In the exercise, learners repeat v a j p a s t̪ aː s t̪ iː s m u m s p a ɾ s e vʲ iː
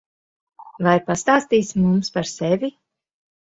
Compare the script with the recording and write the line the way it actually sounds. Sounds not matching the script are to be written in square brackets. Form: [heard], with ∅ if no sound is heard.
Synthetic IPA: v a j p a s t̪ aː s t̪ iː s m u m s p a ɾ s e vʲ [i]